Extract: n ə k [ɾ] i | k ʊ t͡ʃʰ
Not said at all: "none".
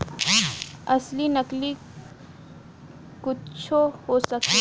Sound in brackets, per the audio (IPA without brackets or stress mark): l